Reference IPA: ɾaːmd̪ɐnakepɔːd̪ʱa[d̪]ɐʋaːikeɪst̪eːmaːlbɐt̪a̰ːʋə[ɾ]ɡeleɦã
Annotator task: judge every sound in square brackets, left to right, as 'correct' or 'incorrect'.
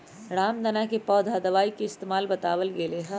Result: correct, incorrect: l

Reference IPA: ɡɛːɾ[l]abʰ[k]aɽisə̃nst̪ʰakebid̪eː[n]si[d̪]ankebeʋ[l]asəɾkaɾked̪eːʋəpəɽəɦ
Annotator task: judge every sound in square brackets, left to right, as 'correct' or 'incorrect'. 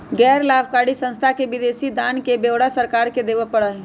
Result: correct, correct, incorrect: none, correct, incorrect: ɽ

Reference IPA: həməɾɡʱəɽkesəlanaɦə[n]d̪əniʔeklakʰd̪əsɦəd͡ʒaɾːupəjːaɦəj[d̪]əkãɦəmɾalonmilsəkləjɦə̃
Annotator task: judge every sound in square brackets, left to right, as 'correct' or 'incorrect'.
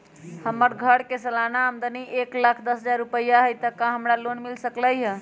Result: incorrect: m, incorrect: t̪

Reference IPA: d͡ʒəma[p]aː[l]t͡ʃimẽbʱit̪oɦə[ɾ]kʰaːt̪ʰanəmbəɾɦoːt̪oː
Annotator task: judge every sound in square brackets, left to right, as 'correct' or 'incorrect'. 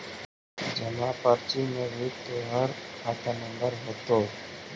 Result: correct, incorrect: ɾ, correct

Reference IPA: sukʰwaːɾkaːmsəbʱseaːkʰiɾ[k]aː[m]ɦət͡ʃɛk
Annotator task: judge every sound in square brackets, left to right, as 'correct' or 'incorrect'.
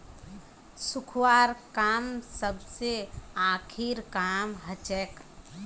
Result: correct, correct

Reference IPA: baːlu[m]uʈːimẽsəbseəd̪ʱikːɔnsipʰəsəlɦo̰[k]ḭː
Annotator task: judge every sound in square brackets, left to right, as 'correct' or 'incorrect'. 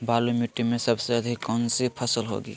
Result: correct, incorrect: ɡ

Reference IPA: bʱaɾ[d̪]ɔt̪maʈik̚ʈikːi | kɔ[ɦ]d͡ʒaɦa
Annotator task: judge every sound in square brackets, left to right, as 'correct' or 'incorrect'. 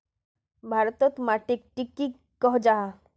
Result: incorrect: t̪, correct

